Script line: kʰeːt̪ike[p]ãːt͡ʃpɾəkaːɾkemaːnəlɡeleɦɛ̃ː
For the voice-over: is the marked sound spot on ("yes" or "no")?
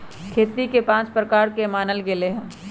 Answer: yes